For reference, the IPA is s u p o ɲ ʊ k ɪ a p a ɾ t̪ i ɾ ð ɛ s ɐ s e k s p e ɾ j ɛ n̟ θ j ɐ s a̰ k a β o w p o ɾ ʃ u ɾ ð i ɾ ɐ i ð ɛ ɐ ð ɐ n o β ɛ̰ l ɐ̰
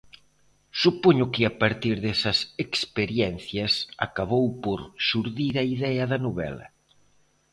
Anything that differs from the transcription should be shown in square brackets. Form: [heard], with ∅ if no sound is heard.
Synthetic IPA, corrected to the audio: s u p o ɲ ʊ k ɪ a p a ɾ t̪ i ɾ ð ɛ s ɐ s e k s p e ɾ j ɛ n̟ θ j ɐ s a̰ k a β o w p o ɾ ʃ u ɾ ð i ɾ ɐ i ð ɛ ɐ ð ɐ n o β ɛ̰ l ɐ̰